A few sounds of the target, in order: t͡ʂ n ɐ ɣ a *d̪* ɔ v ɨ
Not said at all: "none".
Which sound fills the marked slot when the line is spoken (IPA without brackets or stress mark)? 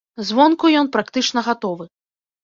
t̪